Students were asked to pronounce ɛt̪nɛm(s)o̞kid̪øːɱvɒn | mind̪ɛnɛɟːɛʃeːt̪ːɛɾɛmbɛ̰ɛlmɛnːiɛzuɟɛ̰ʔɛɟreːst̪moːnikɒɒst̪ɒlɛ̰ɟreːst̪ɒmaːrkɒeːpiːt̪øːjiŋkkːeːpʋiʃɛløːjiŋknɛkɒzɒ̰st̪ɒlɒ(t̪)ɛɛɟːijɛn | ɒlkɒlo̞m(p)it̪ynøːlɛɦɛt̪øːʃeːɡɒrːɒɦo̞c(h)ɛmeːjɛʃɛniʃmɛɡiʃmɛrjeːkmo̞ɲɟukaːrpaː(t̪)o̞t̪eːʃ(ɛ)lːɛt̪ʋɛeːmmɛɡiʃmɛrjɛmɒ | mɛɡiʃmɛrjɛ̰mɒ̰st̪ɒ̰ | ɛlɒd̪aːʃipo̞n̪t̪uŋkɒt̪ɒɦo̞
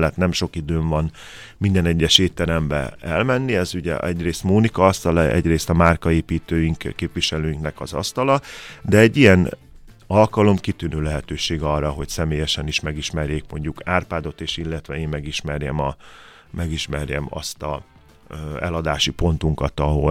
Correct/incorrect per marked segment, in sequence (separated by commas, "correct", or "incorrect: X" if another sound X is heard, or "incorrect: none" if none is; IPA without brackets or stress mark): incorrect: ʃ, incorrect: d̪, incorrect: k, incorrect: s, incorrect: d̪, incorrect: i